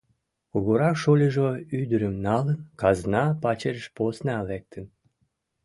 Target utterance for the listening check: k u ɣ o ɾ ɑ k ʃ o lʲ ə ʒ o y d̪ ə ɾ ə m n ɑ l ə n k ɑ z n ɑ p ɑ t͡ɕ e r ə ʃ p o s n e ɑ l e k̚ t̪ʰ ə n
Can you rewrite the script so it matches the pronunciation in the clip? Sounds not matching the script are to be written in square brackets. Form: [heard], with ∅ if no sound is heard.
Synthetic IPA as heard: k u ɣ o ɾ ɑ k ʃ o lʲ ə ʒ o y d̪ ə ɾ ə m n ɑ l ə n k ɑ z n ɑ p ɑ t͡ɕ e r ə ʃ p o s n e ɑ l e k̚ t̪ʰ ə n